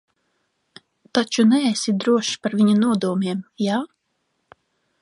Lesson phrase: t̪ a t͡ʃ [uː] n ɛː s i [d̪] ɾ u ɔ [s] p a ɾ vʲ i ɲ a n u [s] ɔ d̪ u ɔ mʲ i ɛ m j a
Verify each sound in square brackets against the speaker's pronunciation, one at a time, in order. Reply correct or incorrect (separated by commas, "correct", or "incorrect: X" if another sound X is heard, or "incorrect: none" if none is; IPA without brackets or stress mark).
incorrect: u, correct, incorrect: ʃ, incorrect: none